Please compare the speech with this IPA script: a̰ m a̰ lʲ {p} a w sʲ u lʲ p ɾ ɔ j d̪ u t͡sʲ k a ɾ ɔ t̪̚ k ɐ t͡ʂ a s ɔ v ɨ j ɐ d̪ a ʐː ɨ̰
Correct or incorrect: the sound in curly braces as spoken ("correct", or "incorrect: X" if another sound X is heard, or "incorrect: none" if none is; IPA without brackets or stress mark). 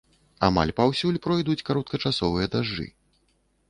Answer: correct